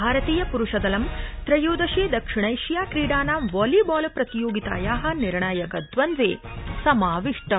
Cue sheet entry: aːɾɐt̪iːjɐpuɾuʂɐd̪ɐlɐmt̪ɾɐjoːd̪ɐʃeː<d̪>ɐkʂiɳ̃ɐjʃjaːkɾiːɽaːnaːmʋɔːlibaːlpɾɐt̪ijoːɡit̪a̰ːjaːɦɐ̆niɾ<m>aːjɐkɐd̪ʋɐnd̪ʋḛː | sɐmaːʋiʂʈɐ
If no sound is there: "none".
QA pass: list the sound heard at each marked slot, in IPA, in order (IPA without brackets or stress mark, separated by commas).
d̪, ɳ